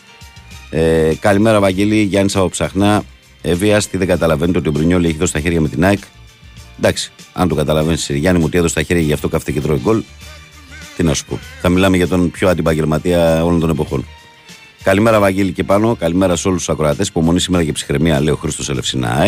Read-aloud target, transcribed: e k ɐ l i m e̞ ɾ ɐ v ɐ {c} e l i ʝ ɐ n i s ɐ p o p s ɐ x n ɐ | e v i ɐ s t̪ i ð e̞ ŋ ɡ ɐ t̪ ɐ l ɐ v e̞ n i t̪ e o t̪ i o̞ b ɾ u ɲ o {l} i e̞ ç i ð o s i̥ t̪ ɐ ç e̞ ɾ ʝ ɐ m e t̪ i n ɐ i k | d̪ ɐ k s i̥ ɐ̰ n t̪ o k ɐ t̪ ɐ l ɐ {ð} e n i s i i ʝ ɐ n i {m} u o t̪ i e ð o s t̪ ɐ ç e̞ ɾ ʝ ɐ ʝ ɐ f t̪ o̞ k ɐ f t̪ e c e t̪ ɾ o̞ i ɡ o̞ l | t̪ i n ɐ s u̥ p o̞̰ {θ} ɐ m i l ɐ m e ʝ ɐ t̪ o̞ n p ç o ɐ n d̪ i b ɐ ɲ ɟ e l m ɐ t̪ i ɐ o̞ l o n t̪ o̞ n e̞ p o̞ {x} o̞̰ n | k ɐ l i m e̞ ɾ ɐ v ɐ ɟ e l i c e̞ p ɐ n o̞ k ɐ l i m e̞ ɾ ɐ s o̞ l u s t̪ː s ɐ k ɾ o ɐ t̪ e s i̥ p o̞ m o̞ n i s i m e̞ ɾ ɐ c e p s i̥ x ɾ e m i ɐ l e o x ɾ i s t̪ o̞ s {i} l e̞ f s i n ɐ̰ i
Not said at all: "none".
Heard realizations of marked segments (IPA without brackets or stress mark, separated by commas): ɟ, l, v, m, θ, x, e